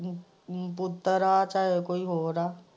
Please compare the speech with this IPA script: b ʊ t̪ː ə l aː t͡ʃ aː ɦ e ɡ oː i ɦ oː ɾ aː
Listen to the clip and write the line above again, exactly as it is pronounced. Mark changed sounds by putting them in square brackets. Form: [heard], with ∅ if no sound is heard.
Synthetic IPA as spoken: [p] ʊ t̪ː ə [ɾ] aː t͡ʃ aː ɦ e [k] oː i ɦ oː ɾ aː

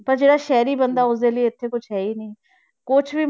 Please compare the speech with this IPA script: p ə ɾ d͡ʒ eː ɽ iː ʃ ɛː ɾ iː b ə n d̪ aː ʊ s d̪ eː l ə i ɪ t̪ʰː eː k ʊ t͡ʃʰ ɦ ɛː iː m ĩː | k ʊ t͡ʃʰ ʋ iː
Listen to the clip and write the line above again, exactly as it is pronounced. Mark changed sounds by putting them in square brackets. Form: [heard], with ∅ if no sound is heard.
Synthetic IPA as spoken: p ə ɾ d͡ʒ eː ɽ [aː] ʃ ɛː ɾ iː b ə n d̪ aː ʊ s d̪ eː l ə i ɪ t̪ʰː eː k ʊ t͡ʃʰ ɦ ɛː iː [n] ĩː | k ʊ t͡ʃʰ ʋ iː

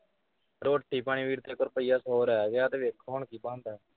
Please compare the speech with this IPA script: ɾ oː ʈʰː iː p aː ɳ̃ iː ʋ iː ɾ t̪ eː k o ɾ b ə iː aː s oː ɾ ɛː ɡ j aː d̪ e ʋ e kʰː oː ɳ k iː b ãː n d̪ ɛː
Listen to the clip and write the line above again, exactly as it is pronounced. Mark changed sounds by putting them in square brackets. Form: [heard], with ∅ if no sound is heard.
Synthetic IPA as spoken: ɾ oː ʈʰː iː p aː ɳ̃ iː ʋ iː ɾ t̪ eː k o ɾ [p] ə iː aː s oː ɾ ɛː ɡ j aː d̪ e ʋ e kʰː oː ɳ k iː b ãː n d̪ ɛː

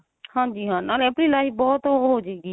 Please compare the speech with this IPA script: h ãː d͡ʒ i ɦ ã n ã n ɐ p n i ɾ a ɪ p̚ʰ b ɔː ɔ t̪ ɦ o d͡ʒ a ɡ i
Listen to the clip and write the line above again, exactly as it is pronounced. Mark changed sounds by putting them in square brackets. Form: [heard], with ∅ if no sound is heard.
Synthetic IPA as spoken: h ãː d͡ʒ i ɦ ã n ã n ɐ p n i [l] a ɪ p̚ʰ b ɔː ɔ t̪ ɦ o d͡ʒ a ɡ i

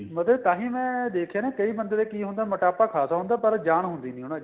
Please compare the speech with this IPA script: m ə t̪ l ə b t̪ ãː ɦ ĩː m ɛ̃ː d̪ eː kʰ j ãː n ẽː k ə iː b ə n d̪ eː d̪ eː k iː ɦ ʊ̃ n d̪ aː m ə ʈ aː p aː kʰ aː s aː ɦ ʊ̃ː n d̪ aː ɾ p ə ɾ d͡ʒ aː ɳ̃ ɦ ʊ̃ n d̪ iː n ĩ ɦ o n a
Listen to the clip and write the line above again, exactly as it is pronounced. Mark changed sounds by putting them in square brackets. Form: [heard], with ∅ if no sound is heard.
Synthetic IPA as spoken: m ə t̪ l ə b t̪ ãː ɦ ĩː m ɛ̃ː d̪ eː kʰ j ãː n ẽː k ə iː b ə n d̪ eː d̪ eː k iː ɦ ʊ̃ n d̪ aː m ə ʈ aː p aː kʰ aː s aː ɦ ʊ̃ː n d̪ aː [∅] p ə ɾ d͡ʒ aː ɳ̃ ɦ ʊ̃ n d̪ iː n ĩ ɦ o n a

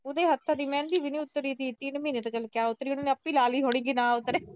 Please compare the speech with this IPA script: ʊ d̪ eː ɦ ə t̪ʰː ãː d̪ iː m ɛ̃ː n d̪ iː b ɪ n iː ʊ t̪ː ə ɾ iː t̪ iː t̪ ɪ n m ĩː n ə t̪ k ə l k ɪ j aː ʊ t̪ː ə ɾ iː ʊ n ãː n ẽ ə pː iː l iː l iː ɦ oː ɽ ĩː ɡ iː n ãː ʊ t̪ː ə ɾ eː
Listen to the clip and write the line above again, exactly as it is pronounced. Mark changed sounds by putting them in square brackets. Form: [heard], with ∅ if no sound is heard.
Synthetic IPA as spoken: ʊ d̪ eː ɦ ə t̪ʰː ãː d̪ iː m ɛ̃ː n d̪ iː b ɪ n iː ʊ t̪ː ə ɾ iː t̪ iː t̪ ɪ n m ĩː n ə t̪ k ə l k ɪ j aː ʊ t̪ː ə ɾ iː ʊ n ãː n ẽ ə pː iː l [aː] l iː ɦ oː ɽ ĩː ɡ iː n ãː ʊ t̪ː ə ɾ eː

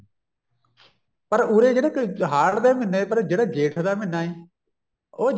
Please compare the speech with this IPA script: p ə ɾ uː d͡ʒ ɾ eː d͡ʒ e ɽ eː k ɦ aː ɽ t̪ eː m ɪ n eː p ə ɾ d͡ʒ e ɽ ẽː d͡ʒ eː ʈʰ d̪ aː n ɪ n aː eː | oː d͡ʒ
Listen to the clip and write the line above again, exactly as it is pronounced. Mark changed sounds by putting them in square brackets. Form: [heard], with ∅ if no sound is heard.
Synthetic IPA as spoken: p ə ɾ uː [∅] ɾ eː d͡ʒ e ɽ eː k ɦ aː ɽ [d̪] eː m ɪ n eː p ə ɾ d͡ʒ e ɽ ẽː d͡ʒ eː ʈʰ d̪ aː [m] ɪ n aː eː | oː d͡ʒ

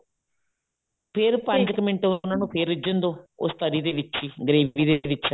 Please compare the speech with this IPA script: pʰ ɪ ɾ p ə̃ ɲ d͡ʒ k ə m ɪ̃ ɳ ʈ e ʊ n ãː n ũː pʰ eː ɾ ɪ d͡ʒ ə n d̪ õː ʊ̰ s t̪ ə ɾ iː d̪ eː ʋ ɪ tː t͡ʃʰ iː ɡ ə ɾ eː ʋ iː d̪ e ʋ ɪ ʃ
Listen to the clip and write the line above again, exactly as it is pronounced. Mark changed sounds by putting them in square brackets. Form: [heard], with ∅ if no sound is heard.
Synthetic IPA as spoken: pʰ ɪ ɾ p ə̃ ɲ d͡ʒ k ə m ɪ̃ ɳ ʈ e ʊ n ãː n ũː pʰ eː ɾ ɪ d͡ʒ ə n d̪ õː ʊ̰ s t̪ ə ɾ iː d̪ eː ʋ ɪ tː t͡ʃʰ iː ɡ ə ɾ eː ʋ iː d̪ e ʋ ɪ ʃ

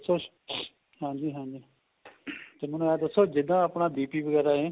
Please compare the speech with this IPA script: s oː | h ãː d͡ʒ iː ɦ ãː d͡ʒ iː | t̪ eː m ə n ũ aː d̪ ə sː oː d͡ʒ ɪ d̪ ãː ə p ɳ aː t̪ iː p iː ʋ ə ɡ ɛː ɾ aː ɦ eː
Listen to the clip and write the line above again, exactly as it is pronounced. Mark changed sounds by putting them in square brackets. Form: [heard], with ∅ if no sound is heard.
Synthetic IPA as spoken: s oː | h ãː d͡ʒ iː ɦ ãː d͡ʒ iː | t̪ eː m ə n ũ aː d̪ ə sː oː d͡ʒ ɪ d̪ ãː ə p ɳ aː [d̪] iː p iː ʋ ə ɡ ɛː ɾ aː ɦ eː

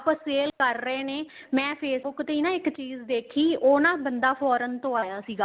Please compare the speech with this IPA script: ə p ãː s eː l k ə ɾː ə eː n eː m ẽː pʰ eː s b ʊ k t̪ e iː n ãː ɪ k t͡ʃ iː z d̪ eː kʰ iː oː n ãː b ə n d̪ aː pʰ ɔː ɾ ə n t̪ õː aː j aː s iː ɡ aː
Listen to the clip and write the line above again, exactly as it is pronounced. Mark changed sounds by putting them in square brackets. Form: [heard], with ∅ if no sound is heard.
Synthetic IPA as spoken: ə p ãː s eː l k ə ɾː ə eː n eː m [ɛ̃ː] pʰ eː s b ʊ k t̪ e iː n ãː ɪ k t͡ʃ iː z d̪ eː kʰ iː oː n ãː b ə n d̪ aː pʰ ɔː ɾ ə n t̪ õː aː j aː s iː ɡ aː

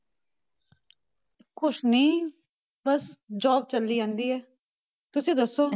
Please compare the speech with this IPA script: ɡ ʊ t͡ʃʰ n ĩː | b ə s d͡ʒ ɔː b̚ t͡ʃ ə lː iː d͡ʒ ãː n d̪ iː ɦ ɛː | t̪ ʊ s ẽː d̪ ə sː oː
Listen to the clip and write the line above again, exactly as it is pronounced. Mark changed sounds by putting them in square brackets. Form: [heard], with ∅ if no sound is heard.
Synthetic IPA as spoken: [k] ʊ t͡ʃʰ n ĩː | b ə s d͡ʒ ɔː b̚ t͡ʃ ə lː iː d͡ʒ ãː n d̪ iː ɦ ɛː | t̪ ʊ s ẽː d̪ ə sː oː

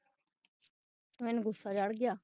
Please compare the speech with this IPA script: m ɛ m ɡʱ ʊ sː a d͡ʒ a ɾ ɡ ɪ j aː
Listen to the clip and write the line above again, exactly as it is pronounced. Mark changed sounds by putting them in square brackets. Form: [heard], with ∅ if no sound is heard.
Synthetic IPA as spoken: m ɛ [n] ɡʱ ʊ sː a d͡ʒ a [ɽ] ɡ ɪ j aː

